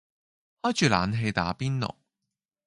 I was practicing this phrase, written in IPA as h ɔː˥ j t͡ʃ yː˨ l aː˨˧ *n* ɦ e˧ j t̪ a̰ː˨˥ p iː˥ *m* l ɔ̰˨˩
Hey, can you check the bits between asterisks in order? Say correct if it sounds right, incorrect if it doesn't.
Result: correct, incorrect

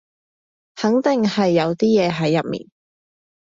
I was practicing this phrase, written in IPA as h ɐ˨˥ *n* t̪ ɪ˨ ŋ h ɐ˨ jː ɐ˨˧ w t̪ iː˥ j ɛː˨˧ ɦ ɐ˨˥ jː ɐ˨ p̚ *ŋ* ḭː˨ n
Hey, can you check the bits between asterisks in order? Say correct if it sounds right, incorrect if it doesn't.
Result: incorrect, incorrect

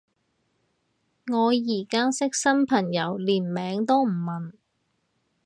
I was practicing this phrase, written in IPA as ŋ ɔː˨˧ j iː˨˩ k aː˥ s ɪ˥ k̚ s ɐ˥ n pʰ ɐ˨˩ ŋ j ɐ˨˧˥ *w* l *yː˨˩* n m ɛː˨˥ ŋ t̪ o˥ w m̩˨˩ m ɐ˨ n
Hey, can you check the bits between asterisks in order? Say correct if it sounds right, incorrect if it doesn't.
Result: correct, incorrect

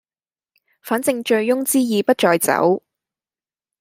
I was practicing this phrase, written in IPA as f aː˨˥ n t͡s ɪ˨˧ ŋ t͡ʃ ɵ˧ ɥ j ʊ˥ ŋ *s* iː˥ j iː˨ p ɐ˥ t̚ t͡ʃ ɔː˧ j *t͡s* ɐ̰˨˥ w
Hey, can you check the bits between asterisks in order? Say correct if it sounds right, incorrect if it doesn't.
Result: incorrect, correct

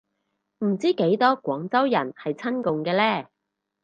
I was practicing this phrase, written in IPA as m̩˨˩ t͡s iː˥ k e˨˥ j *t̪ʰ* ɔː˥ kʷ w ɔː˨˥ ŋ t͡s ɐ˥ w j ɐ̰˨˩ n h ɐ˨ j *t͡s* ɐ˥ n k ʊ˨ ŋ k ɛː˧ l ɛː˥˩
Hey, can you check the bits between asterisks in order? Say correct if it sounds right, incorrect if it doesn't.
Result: incorrect, incorrect

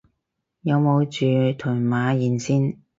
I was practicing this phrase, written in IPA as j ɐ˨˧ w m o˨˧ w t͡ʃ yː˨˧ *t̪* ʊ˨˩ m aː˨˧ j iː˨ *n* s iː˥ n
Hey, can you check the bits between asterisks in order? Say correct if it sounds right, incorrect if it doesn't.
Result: incorrect, correct

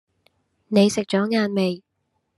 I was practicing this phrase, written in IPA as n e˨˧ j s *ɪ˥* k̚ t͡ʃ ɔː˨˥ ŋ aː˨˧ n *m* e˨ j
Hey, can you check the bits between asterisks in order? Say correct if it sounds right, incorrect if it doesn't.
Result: incorrect, correct

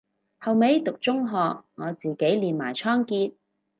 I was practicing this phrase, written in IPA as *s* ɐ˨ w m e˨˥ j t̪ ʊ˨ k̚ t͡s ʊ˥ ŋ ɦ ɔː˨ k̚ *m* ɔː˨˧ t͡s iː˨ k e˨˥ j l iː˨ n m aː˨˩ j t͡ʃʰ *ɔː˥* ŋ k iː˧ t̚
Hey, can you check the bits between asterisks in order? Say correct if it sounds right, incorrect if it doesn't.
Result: incorrect, incorrect, correct

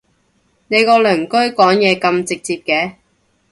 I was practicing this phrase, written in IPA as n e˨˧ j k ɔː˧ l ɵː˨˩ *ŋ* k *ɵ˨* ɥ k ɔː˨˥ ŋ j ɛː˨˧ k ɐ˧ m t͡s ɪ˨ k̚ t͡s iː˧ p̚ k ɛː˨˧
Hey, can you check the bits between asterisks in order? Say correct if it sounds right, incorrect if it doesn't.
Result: correct, incorrect

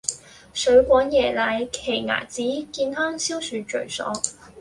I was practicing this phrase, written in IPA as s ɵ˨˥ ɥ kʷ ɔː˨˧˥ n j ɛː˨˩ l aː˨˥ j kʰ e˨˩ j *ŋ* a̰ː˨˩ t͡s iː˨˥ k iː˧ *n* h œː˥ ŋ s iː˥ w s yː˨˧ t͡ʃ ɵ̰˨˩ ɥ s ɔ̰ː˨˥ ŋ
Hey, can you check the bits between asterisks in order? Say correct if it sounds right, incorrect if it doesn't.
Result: correct, correct

